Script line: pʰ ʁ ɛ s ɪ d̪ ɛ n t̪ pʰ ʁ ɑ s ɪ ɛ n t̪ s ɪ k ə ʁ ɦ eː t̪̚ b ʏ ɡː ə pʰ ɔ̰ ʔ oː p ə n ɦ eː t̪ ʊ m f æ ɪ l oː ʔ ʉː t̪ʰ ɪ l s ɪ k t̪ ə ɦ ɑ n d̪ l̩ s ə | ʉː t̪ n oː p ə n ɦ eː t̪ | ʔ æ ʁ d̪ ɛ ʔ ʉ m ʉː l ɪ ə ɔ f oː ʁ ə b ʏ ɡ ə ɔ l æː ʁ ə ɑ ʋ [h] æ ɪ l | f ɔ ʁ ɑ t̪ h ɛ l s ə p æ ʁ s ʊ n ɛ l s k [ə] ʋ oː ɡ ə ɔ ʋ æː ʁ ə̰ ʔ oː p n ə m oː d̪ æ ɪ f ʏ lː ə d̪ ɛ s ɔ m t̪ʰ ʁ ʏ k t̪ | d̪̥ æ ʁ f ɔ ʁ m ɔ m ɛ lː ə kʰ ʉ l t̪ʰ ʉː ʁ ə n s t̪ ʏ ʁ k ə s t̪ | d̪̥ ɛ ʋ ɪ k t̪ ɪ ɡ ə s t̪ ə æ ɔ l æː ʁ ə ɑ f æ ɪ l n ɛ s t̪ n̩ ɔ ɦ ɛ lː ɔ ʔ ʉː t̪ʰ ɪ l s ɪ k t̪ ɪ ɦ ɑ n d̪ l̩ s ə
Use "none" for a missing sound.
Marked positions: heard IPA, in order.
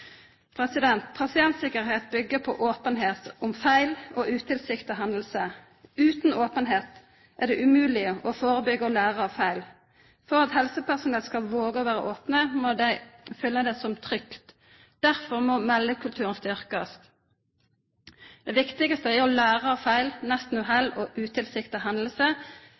f, ɑ

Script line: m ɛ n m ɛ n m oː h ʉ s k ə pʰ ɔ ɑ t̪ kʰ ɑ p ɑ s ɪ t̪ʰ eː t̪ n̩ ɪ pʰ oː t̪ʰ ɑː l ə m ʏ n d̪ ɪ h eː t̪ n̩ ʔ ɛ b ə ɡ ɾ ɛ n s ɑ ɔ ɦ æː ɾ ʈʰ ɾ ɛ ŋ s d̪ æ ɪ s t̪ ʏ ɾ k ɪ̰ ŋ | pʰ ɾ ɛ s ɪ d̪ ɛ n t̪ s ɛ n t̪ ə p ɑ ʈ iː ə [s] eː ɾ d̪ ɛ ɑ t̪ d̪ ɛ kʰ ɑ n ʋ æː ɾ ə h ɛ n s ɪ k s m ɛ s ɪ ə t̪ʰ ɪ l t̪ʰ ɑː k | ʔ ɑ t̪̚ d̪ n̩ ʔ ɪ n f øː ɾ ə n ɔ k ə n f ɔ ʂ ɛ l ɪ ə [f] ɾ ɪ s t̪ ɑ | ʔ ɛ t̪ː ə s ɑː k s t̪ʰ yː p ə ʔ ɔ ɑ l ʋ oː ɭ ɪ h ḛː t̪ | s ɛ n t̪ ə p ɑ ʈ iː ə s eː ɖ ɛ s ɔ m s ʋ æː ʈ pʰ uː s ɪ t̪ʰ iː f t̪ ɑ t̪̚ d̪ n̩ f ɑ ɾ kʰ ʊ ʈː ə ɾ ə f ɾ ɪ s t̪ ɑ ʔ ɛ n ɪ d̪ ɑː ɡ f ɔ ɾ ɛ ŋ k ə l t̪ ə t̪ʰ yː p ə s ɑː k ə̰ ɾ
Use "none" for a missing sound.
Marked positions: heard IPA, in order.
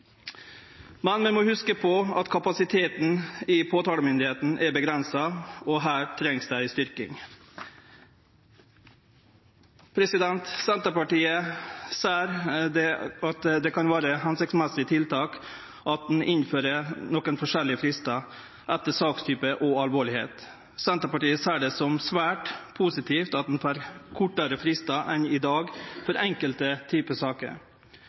s, f

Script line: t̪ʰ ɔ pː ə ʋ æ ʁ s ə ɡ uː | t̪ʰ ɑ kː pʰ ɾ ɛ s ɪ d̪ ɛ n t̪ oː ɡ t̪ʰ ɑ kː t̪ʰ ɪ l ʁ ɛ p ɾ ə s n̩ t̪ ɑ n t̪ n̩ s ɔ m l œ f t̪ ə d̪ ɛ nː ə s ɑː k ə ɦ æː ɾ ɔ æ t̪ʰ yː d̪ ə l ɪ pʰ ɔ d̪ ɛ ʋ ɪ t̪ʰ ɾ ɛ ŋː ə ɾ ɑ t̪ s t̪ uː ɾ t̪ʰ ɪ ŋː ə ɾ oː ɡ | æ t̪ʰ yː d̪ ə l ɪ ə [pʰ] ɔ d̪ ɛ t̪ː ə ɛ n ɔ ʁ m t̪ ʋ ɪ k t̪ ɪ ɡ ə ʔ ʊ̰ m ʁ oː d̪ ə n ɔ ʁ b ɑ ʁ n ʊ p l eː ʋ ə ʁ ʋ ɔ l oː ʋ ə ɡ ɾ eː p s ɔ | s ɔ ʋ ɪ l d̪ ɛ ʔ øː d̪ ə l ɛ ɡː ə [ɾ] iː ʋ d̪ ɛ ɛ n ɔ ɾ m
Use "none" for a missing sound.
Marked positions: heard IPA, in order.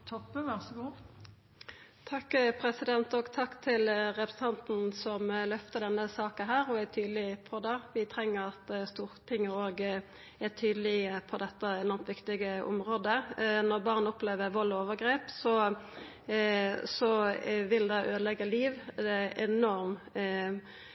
pʰ, l

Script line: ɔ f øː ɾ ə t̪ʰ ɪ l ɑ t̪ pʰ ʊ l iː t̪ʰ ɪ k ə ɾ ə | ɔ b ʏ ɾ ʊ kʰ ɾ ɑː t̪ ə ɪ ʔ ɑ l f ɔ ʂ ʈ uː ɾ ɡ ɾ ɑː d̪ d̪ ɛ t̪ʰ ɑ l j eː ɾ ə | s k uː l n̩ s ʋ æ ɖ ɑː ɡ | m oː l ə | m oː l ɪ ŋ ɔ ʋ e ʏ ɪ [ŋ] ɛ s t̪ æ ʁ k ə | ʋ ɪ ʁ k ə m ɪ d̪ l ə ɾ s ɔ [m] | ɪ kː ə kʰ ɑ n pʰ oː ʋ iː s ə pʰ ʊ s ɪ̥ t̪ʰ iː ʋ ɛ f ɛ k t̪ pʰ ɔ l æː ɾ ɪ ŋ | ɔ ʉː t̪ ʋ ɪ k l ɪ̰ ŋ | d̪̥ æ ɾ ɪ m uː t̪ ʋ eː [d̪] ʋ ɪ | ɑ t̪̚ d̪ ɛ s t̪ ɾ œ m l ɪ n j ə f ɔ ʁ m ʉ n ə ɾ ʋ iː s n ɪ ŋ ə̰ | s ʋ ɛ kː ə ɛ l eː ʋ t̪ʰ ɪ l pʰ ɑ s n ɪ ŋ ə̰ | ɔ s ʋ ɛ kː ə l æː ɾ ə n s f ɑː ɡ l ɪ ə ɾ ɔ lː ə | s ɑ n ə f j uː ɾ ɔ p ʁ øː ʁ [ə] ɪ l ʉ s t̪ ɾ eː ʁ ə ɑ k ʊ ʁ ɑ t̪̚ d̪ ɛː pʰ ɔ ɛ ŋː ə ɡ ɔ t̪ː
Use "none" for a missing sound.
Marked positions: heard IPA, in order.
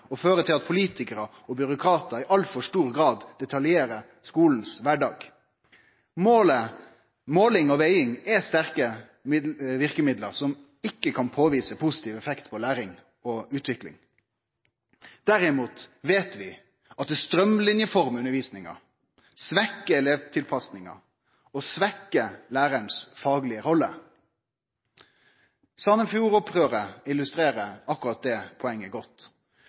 ŋ, m, t̪, ə

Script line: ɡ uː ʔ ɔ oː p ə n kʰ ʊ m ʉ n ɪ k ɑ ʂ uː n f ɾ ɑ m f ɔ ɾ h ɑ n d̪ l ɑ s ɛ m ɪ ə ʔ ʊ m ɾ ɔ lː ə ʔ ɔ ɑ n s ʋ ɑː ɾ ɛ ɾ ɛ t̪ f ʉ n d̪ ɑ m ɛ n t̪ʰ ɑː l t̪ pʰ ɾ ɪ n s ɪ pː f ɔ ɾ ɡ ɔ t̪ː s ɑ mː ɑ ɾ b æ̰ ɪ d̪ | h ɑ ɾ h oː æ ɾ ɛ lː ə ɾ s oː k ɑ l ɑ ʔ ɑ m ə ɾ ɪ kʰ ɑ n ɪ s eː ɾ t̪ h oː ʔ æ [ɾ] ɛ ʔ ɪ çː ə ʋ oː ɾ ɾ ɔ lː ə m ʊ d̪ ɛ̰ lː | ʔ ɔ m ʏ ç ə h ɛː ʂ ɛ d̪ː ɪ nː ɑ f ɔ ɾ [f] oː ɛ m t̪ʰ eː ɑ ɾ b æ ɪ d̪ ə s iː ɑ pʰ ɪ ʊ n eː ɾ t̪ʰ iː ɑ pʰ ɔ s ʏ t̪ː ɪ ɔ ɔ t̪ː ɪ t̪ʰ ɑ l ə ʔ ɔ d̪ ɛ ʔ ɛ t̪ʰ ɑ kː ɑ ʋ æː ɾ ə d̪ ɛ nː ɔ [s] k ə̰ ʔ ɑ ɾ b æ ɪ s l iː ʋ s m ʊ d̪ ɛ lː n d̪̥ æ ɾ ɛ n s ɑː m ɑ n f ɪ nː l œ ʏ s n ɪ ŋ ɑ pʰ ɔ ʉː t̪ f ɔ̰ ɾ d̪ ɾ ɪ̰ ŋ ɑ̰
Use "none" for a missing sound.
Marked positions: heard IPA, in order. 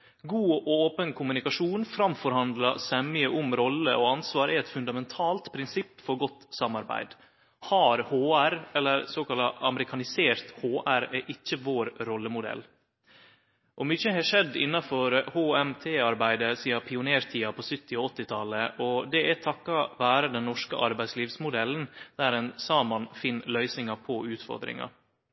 ɾ, h, ʂ

